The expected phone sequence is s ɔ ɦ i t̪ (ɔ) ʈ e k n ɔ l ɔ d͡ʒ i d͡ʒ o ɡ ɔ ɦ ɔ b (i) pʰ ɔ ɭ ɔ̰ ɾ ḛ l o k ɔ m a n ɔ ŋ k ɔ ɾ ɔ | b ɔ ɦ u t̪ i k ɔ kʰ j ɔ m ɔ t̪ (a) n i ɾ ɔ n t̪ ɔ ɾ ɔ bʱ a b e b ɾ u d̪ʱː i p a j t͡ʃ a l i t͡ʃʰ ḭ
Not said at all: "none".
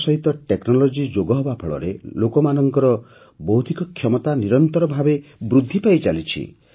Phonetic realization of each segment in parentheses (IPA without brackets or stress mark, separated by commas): ɔ, a, a